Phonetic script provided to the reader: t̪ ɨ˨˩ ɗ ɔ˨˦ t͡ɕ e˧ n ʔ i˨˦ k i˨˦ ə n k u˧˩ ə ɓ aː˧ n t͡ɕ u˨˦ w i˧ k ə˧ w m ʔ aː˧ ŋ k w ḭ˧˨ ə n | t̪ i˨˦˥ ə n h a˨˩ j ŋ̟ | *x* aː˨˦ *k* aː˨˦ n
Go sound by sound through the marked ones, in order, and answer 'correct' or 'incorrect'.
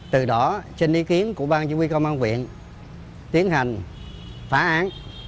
incorrect: f, incorrect: ʔ

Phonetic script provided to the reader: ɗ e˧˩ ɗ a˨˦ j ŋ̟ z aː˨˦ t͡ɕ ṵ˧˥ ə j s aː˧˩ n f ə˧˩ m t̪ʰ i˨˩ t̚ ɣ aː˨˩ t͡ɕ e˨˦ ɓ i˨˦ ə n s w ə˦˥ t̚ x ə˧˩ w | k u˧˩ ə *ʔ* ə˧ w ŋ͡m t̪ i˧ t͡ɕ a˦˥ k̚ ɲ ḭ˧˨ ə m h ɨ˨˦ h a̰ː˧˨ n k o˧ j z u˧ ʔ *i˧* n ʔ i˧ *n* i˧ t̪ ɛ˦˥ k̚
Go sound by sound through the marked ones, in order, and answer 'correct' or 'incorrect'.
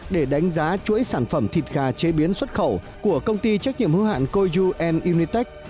incorrect: k, incorrect: ɛ˧, correct

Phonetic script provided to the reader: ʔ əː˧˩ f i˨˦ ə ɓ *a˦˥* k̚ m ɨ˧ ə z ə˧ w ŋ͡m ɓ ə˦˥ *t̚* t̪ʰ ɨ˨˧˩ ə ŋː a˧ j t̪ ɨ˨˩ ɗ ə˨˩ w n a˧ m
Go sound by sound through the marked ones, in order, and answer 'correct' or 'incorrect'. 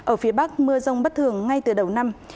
correct, correct

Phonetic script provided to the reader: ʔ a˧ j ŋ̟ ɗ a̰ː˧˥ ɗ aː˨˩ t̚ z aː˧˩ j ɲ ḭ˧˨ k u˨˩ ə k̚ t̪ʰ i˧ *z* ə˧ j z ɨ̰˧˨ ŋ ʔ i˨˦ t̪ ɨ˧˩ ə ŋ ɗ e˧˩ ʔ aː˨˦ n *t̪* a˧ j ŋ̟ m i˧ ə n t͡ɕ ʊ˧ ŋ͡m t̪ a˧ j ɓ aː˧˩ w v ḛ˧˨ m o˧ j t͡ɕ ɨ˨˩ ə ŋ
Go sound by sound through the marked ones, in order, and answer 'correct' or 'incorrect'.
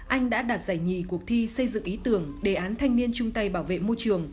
incorrect: s, incorrect: t̪ʰ

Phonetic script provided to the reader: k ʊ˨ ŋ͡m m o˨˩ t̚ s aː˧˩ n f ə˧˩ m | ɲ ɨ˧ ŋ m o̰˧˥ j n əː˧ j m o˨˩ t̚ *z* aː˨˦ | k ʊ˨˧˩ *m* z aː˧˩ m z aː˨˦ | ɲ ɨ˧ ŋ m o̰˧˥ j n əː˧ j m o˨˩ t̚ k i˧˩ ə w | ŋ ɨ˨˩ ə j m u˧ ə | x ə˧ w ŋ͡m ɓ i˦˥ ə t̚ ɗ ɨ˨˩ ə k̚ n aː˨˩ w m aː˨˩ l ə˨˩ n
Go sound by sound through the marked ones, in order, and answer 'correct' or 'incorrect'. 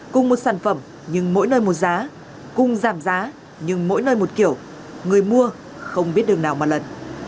correct, incorrect: ŋ͡m

